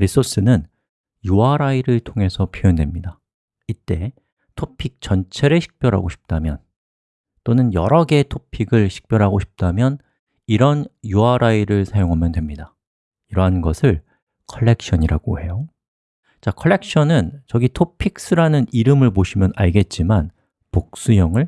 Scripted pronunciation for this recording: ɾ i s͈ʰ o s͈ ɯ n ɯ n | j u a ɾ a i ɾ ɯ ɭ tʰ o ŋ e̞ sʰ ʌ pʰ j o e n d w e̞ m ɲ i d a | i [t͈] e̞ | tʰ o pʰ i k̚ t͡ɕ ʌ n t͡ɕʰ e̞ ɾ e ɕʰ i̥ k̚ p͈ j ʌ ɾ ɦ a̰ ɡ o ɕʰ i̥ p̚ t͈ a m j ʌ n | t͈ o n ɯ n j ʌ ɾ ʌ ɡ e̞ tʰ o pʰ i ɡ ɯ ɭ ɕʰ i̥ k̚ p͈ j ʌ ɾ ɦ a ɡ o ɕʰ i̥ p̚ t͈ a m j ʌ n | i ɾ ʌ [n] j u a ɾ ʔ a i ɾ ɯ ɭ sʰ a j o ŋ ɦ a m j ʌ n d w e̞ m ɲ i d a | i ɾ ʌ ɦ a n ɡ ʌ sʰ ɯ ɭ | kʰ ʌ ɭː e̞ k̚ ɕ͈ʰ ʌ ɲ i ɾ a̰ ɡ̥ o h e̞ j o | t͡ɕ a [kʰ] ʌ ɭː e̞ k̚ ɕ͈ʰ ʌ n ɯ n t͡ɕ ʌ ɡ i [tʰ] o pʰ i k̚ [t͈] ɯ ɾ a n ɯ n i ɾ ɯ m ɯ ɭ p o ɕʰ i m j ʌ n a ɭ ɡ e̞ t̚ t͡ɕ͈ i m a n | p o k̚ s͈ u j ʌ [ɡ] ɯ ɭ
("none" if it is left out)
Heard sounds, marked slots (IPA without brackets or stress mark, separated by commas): t͈, n, kʰ, tʰ, s͈, ŋ